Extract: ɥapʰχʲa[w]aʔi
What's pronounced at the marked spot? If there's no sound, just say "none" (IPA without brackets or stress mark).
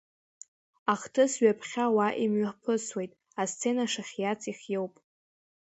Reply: w